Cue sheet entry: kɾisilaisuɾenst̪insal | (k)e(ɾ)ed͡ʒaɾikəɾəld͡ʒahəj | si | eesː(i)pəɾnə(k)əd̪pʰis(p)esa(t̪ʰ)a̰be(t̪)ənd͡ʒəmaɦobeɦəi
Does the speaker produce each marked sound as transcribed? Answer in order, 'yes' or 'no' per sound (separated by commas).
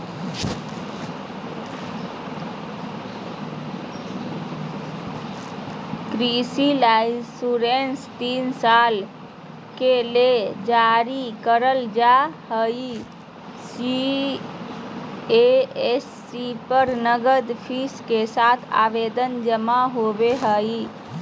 yes, no, yes, no, no, yes, no